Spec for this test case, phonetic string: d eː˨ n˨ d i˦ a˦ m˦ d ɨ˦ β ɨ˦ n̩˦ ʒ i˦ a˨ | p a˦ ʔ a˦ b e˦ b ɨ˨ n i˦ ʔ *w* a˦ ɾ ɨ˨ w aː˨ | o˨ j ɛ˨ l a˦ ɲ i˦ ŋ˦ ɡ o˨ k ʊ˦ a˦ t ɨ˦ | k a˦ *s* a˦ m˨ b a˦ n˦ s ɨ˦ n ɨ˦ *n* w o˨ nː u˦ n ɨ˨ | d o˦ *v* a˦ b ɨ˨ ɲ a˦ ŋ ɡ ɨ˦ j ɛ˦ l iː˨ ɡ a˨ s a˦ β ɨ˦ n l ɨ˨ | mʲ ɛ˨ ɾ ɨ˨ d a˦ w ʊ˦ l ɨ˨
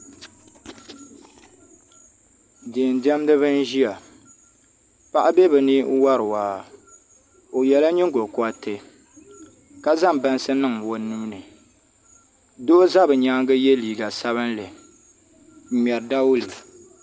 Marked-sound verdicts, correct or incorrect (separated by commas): correct, incorrect, incorrect, incorrect